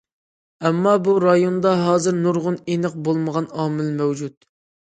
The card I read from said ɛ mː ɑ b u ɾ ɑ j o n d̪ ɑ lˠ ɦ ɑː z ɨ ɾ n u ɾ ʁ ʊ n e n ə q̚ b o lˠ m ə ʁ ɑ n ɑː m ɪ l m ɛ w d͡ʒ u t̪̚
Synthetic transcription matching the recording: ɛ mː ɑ b u ɾ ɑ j o n d̪ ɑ ɦ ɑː z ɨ ɾ n u ɾ ʁ ʊ n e n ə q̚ b o lˠ m ə ʁ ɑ n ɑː m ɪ l m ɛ w d͡ʒ u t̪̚